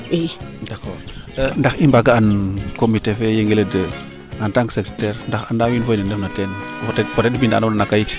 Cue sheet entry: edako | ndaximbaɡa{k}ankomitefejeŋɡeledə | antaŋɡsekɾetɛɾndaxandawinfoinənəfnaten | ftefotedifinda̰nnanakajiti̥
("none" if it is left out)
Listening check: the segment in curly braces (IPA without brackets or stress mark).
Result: none